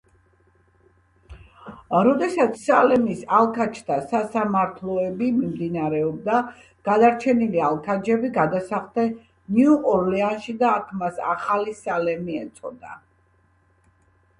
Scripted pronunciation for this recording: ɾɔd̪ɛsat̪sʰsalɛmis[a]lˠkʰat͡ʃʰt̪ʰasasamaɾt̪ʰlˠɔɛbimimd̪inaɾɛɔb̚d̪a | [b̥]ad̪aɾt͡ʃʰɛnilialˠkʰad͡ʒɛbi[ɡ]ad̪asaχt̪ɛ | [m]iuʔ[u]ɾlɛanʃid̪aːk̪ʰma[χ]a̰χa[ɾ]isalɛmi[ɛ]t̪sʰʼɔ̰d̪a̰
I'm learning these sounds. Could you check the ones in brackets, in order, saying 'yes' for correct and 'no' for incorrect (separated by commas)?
yes, no, yes, no, no, no, no, yes